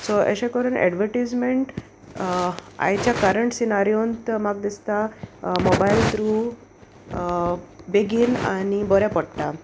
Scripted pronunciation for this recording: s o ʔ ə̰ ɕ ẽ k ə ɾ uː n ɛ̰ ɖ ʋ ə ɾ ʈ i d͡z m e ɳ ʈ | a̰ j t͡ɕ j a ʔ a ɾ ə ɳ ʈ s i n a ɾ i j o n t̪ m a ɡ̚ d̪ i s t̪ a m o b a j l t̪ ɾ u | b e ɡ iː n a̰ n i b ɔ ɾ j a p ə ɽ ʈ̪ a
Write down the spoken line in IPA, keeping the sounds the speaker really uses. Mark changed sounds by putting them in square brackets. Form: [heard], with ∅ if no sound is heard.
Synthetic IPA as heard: s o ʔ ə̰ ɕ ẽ k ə ɾ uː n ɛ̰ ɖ ʋ ə ɾ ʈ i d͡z m e ɳ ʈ | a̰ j t͡ɕ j a [k] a ɾ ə ɳ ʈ s i n a ɾ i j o n t̪ m a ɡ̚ d̪ i s t̪ a m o b a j l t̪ ɾ u | b e ɡ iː n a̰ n i b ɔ ɾ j a p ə ɽ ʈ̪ a